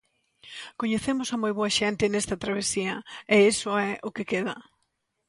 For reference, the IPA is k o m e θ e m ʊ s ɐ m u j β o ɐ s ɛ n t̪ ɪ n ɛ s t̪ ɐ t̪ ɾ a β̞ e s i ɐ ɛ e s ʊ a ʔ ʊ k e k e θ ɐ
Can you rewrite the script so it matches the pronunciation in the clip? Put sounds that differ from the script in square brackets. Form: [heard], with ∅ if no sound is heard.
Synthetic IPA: k o [ɲ] e θ e m ʊ s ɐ m [o] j β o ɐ [ʃ] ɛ n t̪ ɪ n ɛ s t̪ ɐ t̪ ɾ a β̞ e s i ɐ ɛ e s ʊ [ɛ] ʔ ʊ k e k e [ð] ɐ